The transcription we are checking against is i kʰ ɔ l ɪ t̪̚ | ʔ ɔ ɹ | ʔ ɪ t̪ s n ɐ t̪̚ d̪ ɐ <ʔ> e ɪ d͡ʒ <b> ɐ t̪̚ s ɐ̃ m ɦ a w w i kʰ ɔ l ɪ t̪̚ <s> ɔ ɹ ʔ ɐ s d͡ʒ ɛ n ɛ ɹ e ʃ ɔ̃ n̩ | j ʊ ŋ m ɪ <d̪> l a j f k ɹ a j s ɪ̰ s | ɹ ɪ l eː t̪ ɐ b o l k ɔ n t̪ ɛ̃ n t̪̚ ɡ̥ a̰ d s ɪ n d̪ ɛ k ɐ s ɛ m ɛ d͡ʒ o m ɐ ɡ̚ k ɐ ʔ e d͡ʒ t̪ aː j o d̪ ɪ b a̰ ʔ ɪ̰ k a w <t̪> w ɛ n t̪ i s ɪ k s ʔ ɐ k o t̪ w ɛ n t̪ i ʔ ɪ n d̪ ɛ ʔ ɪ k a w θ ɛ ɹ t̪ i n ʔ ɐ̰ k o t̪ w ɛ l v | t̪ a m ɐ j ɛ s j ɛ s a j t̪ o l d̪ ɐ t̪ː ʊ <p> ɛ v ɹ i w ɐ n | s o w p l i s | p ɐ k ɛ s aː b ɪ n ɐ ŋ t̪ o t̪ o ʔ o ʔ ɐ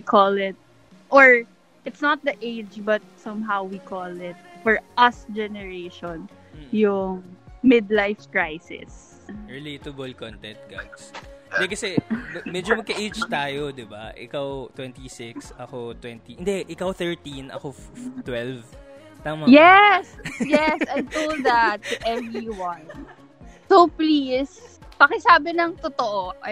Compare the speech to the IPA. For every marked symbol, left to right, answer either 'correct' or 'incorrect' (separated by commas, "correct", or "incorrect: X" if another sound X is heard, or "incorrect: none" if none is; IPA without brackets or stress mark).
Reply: correct, correct, incorrect: f, correct, correct, incorrect: ʔ